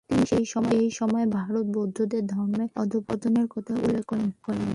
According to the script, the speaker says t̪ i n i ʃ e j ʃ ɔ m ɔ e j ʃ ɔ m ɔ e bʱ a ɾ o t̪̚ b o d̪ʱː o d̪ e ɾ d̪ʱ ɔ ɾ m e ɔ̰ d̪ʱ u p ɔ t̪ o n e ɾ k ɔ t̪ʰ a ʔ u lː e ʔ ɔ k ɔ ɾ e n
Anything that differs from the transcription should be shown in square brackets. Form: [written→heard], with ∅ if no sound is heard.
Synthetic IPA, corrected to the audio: t̪ i n i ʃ e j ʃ ɔ m ɔ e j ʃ ɔ m ɔ e bʱ a ɾ o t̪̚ b o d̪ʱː o d̪ e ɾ d̪ʱ ɔ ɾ m e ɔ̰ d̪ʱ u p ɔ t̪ o n e ɾ k ɔ t̪ʰ a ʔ u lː e [ʔ→k] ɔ k ɔ ɾ e n